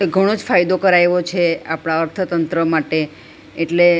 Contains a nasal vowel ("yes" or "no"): no